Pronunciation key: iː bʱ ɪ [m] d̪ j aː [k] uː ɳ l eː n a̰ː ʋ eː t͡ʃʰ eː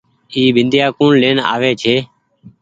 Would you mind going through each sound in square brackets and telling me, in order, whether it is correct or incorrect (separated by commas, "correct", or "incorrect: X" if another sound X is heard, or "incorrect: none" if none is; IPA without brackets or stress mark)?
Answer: incorrect: n, correct